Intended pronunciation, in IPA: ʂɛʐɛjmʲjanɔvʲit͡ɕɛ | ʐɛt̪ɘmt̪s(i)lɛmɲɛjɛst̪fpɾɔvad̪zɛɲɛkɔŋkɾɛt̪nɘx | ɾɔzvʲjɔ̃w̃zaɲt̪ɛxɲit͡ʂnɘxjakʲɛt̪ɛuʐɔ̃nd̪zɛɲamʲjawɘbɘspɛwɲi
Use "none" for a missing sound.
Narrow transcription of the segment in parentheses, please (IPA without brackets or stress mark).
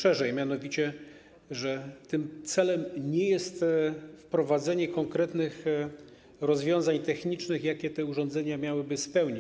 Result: ɛ